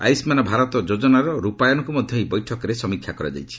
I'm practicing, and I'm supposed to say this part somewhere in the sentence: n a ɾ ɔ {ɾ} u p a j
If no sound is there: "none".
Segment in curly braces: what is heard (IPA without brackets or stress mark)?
ɾ